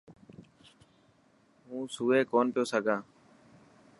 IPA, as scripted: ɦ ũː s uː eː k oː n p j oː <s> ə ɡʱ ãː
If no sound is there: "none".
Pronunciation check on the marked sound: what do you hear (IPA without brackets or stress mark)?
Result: s